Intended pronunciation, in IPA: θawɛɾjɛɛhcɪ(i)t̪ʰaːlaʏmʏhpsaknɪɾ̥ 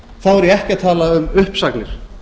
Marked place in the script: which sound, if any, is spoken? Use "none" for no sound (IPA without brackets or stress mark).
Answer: a